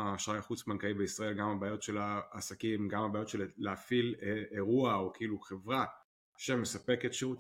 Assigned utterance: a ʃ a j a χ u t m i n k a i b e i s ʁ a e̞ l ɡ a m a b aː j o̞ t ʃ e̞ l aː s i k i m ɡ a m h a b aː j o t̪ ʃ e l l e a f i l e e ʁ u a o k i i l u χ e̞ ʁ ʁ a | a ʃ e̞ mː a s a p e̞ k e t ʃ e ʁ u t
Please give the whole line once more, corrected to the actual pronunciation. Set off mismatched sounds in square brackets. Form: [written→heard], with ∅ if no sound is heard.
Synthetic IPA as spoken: a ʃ a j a χ u [t→t͡s] m [i→a] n k a i b e i s ʁ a e̞ l ɡ a m a b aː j o̞ t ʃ e̞ l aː s [i→a] k i m ɡ a m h a b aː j o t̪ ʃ e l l e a f i l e e ʁ u a o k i i l u χ e̞ [ʁ→v] ʁ a | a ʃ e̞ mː [a→e] s a p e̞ k e t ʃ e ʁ u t